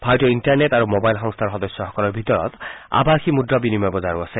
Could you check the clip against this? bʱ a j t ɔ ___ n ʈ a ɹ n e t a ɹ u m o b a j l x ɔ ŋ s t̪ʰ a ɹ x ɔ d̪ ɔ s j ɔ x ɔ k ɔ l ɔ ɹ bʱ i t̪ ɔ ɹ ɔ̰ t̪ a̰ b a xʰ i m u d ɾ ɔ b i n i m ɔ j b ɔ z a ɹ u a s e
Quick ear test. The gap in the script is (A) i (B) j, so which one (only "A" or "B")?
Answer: A